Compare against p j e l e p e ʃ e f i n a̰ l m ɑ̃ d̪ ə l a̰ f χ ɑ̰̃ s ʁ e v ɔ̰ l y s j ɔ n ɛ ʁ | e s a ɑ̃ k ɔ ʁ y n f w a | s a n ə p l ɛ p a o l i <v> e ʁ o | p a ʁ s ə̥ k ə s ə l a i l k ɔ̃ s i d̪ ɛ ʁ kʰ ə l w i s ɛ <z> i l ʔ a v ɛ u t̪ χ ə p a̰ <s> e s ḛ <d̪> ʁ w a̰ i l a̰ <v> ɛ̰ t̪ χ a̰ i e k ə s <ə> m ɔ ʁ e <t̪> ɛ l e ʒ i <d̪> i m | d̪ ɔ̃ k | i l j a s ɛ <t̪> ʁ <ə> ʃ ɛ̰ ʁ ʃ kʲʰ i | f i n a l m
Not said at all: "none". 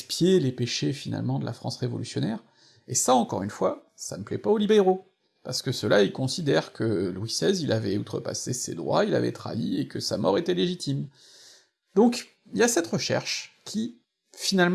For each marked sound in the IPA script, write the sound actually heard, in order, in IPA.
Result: b, z, s, d̪, v, a, t̪, t̪, t̪, ə

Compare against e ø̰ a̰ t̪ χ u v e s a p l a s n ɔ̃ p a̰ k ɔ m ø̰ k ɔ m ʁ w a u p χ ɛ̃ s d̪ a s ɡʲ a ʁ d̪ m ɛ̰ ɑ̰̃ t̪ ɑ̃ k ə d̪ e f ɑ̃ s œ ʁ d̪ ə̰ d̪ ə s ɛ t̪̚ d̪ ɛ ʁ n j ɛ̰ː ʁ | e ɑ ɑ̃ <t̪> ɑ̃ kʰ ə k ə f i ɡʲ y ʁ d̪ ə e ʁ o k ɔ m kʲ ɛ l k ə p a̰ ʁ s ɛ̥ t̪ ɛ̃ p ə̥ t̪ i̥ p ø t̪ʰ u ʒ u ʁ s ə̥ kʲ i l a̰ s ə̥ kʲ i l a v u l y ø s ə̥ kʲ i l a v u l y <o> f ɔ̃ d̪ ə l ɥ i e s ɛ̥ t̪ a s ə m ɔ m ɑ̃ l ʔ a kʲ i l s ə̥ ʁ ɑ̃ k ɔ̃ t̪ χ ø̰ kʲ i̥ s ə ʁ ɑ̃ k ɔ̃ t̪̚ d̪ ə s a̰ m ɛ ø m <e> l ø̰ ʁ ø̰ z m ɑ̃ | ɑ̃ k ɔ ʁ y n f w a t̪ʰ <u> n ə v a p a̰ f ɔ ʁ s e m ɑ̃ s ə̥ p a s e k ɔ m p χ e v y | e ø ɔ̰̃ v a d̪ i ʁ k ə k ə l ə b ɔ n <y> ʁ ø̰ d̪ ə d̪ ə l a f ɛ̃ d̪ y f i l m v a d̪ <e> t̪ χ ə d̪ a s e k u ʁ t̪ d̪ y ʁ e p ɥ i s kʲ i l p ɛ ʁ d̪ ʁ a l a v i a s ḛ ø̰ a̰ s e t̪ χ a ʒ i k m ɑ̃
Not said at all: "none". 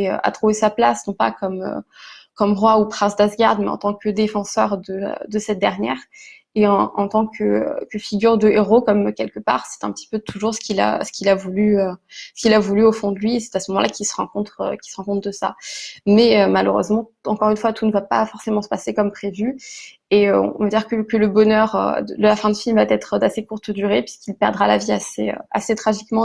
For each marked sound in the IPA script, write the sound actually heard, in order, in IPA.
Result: t̪, o, a, u, œ, ɛ

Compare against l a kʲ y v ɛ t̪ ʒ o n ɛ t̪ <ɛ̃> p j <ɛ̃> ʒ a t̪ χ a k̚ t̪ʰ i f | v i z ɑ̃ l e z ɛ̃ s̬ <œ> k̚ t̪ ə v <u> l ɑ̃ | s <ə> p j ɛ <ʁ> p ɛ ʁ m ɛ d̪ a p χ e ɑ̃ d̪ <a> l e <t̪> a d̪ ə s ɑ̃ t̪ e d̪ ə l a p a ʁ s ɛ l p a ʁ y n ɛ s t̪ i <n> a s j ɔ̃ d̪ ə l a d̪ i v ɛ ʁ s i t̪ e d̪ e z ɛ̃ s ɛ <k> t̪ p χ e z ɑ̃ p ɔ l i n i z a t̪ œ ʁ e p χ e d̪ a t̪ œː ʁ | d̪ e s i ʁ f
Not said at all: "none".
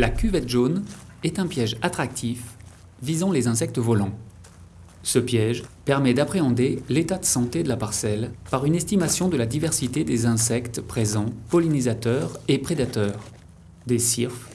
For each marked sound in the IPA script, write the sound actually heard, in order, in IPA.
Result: ɛ̃, ɛ, ɛ, ɔ, ə, ʒ, e, t̪, m, k

